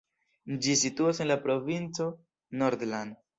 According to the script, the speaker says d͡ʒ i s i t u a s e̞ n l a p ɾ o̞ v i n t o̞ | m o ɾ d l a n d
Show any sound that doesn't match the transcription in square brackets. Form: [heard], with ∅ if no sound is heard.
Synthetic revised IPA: d͡ʒ i s i t u a s e̞ n l a p ɾ o̞ v i n [t͡s] o̞ | [n] o ɾ d l a n d